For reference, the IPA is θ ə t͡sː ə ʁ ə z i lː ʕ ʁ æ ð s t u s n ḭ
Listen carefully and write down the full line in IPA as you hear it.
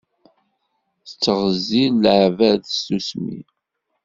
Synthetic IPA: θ ə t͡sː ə ʁ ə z i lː ʕ v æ ð s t u s m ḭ